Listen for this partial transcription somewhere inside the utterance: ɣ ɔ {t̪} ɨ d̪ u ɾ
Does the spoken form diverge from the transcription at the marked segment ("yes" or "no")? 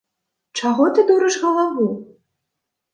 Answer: no